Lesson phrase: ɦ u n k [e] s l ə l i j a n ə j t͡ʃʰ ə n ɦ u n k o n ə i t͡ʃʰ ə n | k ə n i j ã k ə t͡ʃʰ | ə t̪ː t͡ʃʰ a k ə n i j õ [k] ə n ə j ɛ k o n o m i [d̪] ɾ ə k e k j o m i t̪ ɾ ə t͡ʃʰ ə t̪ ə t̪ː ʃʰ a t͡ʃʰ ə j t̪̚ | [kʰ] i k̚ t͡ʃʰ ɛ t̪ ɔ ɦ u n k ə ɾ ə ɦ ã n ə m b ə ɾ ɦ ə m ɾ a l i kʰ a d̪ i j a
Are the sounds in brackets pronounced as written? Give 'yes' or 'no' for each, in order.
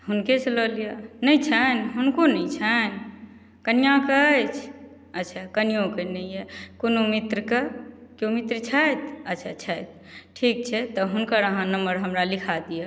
yes, yes, no, no

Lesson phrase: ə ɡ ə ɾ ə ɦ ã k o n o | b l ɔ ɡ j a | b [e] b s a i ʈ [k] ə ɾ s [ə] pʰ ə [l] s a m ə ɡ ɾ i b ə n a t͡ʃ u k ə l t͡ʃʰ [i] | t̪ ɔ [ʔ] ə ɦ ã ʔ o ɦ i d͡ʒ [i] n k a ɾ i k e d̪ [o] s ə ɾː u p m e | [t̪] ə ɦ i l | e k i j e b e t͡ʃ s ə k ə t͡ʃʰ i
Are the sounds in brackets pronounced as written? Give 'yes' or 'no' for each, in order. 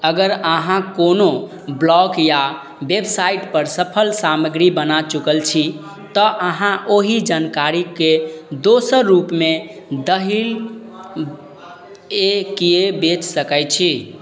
yes, no, yes, yes, yes, yes, no, yes, no

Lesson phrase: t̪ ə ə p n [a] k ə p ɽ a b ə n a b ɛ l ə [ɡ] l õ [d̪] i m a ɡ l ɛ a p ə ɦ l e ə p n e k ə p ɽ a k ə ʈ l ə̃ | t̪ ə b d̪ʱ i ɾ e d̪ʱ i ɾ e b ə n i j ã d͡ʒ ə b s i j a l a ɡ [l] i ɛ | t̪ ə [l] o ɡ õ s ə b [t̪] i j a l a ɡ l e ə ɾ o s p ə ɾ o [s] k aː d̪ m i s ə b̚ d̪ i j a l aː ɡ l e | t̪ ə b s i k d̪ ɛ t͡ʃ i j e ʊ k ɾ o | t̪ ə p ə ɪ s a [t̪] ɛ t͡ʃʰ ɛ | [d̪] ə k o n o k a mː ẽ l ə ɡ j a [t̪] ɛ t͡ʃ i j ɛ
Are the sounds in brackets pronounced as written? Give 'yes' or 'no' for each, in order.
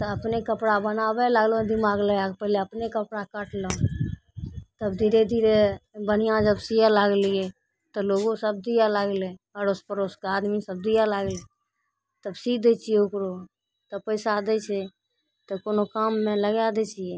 no, yes, yes, yes, yes, no, yes, no, no, no

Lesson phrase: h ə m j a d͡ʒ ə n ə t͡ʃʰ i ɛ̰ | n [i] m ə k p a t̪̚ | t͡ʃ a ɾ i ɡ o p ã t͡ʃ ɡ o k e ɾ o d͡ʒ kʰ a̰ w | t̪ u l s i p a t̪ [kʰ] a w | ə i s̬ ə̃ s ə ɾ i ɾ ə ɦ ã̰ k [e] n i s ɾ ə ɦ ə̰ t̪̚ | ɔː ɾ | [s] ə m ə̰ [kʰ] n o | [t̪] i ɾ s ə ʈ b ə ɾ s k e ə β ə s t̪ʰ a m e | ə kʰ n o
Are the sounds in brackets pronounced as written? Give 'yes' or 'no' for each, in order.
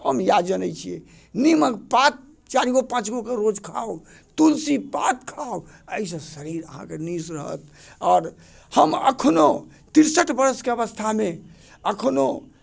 yes, yes, yes, no, yes, yes

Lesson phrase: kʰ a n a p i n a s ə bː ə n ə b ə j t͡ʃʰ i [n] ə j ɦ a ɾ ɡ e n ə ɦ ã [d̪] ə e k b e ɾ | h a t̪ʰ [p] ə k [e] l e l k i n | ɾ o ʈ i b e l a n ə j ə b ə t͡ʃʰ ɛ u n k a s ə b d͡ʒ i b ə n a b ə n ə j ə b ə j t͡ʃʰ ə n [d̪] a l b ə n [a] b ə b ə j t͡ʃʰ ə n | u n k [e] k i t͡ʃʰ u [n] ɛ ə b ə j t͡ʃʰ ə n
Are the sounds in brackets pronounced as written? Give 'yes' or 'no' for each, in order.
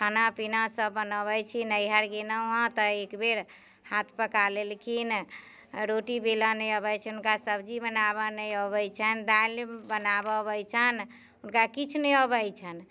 yes, no, yes, no, yes, yes, no, yes

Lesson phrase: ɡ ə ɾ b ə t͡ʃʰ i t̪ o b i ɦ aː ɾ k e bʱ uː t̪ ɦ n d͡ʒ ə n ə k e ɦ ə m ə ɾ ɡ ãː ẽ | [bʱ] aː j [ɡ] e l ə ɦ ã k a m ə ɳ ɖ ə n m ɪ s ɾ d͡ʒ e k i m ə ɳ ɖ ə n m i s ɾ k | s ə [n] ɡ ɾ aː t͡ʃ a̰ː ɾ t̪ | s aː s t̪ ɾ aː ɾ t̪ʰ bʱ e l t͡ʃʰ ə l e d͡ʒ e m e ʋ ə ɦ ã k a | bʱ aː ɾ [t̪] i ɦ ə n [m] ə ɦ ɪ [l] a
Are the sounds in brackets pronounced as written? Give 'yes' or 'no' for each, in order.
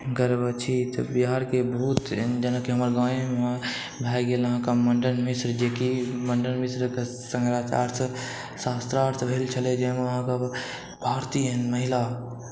yes, yes, no, yes, yes, yes

